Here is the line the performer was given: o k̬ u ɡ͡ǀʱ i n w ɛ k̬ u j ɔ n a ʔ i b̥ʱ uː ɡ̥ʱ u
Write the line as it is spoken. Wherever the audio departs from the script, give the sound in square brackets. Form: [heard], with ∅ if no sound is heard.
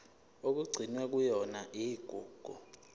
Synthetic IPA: o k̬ u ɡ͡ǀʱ i n w ɛ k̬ u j ɔ n a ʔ i [ɡ̥ʱ] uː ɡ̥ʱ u